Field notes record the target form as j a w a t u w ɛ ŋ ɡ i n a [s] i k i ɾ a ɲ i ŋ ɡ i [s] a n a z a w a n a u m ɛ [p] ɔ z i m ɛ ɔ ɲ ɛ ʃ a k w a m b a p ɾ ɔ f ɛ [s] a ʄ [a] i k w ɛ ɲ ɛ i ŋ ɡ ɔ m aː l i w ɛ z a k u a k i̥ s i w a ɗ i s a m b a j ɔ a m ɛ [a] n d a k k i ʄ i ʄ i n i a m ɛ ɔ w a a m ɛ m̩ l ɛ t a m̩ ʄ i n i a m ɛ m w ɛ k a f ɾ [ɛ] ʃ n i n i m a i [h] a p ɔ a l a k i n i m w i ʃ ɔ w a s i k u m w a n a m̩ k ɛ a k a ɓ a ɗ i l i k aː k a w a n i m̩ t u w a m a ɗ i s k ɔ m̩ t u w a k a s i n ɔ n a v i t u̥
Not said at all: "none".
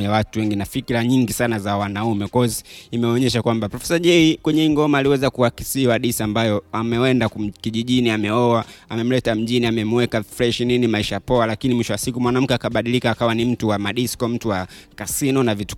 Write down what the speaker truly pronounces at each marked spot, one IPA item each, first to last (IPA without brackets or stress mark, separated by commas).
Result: f, s, k, s, ɛ, ɛ, ɛ, ʃ